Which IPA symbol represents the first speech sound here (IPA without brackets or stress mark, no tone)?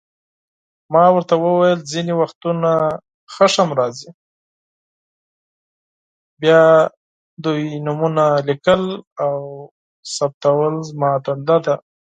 m